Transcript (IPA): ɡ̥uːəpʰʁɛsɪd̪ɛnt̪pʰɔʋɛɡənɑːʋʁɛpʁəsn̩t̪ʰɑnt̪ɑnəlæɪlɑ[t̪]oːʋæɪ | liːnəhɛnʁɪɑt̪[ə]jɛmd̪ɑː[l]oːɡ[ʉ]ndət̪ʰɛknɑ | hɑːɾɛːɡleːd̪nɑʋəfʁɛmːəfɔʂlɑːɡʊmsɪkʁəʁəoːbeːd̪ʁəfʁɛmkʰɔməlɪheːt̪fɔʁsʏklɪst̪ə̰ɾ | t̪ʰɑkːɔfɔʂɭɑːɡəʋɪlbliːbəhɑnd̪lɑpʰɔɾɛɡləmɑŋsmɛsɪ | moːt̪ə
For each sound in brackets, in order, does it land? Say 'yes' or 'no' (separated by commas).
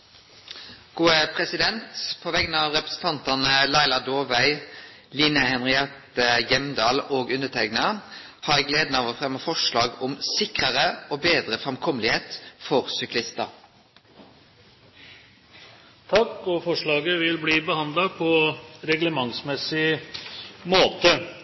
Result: no, yes, yes, yes